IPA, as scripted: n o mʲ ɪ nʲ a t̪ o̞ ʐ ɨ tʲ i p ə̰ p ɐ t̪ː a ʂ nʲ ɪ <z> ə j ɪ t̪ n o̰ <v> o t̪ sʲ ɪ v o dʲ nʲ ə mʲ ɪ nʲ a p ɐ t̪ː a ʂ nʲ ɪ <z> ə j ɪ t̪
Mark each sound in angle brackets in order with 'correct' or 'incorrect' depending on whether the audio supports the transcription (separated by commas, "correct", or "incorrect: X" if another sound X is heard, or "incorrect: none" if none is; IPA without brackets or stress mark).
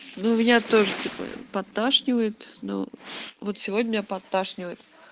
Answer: incorrect: v, correct, incorrect: v